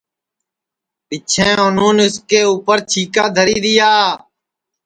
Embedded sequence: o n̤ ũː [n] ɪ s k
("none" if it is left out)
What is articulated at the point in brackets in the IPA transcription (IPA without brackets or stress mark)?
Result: n